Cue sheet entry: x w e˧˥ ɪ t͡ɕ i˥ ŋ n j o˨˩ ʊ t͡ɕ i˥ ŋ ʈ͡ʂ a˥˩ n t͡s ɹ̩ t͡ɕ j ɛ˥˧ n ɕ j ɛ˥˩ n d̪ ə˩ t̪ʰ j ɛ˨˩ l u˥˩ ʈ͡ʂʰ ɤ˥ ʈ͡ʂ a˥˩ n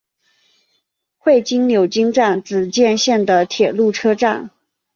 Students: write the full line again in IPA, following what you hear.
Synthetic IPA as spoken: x w e˥˩ ɪ t͡ɕ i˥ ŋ n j o˨˩ ʊ t͡ɕ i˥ ŋ ʈ͡ʂ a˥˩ n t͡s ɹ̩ t͡ɕ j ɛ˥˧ n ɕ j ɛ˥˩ n d̪ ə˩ t̪ʰ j ɛ˨˩ l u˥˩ ʈ͡ʂʰ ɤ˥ ʈ͡ʂ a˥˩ n